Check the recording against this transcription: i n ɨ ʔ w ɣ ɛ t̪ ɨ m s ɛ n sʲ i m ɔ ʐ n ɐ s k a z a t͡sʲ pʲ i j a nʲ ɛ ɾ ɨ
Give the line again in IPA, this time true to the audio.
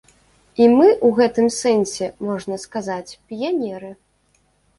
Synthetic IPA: i m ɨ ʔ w ɣ ɛ t̪ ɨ m s ɛ n sʲ ɛ m ɔ ʐ n ɐ s k a z a t͡sʲ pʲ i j a nʲ ɛ ɾ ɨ